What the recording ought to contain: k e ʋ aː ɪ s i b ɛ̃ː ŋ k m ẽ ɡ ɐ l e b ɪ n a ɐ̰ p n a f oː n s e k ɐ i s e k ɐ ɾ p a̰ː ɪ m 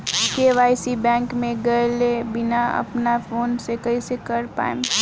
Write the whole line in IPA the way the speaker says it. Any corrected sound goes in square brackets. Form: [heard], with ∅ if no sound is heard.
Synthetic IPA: k e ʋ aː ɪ s i b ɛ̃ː ŋ k m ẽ ɡ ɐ l e b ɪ n a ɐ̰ p n a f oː n s e k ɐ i s e k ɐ ɾ p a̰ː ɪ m

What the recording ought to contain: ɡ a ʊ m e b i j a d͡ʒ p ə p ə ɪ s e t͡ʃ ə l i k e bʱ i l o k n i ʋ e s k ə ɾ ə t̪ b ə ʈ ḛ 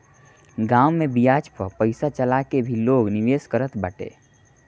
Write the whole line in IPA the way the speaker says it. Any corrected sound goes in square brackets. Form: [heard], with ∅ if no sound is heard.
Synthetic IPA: ɡ a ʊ m e b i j a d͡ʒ p ə p ə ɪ s [a] t͡ʃ ə l [a] k e bʱ i l o [ɡ] n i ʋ e s k ə ɾ ə t̪ b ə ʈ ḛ

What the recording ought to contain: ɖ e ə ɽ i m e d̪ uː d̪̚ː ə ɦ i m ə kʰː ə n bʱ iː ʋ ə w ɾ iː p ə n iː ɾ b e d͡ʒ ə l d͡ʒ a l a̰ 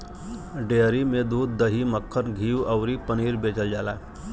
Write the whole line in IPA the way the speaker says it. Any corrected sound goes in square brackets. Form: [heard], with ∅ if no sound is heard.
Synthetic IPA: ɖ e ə [ɾ] i m e d̪ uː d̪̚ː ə ɦ i m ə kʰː ə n [ɡʱ] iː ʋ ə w ɾ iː p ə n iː ɾ b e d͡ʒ ə l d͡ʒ a l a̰

